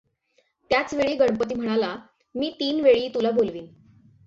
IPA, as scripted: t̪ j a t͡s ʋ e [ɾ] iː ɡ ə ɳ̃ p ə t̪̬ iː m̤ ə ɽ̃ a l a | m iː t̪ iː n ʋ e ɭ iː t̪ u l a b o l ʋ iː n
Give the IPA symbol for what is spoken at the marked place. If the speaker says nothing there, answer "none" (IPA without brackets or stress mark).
ɭ